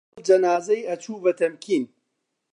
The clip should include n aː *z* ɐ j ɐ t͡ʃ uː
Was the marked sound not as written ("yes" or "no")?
no